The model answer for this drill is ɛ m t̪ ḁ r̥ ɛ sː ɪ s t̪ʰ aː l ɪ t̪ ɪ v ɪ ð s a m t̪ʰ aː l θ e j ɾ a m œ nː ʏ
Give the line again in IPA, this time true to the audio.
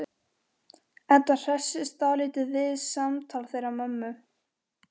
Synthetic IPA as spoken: ɛ n t̪ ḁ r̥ ɛ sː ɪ s t̪ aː l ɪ t̪ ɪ v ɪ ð s a m t̪ʰ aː l θ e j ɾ a m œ mː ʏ